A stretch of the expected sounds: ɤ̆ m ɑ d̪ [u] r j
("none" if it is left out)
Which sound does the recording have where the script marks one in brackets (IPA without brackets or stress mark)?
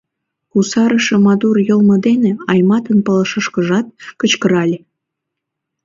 u